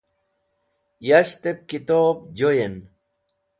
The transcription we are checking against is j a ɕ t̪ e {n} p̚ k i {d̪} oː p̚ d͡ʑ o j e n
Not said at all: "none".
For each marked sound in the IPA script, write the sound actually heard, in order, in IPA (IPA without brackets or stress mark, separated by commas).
none, t̪